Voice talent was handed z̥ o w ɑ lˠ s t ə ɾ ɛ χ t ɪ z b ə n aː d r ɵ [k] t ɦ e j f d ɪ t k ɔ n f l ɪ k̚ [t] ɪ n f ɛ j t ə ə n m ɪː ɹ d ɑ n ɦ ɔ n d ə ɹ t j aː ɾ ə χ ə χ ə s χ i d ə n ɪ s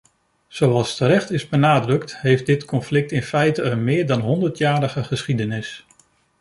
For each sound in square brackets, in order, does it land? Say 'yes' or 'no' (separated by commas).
yes, yes